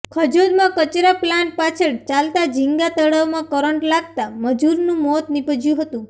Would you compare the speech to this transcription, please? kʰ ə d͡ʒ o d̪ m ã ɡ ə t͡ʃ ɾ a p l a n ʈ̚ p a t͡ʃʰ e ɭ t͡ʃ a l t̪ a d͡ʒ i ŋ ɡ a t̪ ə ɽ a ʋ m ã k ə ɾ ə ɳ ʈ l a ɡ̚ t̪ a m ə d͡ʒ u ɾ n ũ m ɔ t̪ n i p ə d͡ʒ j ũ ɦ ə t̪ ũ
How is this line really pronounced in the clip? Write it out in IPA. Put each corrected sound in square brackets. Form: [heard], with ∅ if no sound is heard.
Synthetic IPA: kʰ ə d͡ʒ o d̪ m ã [k] ə t͡ʃ ɾ a p l a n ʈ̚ p a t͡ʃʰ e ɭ t͡ʃ a l t̪ a d͡ʒ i ŋ ɡ a t̪ ə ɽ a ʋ m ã k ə ɾ ə ɳ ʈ l a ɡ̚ t̪ a m ə d͡ʒ u ɾ n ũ m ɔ t̪ n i p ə d͡ʒ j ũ ɦ ə t̪ ũ